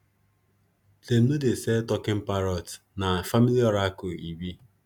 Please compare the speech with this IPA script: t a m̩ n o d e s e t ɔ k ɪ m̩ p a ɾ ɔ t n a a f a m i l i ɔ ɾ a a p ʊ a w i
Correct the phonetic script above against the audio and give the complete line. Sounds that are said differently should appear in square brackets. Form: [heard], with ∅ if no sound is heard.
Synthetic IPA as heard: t [e] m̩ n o d e s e t ɔ k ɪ m̩ p a ɾ ɔ t n a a f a m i l i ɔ ɾ a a [k] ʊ [i] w i